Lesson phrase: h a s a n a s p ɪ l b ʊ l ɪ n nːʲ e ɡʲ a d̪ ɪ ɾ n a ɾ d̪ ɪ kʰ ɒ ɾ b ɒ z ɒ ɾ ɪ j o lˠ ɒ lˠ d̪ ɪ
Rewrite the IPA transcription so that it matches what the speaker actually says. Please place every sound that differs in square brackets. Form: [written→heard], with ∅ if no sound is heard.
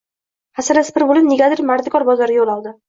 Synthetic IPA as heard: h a s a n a s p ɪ [l→ɾ] b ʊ l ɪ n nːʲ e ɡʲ a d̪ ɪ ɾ [n→m] a ɾ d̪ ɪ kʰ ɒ ɾ b ɒ z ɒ ɾ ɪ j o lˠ ɒ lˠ d̪ ɪ